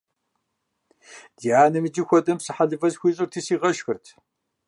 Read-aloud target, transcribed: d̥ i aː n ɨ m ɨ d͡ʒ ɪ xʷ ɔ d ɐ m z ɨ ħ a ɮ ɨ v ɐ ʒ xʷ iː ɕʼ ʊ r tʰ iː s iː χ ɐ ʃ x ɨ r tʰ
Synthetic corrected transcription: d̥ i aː n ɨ m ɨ d͡ʒ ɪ xʷ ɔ d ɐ m s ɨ ħ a ɮ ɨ v ɐ z xʷ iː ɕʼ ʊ r tʰ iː s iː ʁ ɐ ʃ x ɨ r tʰ